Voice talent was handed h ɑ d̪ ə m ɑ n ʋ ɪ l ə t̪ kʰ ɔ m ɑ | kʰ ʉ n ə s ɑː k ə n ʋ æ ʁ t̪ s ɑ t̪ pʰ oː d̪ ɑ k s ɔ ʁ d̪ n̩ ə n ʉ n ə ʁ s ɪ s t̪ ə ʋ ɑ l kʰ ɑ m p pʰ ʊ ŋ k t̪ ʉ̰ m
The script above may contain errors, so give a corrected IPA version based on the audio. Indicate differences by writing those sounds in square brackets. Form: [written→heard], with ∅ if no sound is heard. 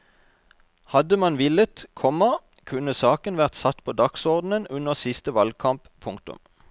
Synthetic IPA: h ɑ d̪ ə m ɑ n ʋ ɪ l ə t̪ kʰ ɔ m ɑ | kʰ ʉ n ə s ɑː k ə n ʋ æ ʁ t̪ s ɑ t̪ pʰ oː d̪ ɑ k s ɔ ʁ d̪ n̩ ə n ʉ n ə ʁ s ɪ s t̪ ə ʋ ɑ l kʰ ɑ m p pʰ ʊ ŋ k t̪ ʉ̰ m